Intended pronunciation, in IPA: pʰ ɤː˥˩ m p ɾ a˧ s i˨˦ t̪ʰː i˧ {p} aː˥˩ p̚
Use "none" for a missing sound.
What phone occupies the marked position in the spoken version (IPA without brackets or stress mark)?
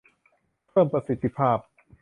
pʰ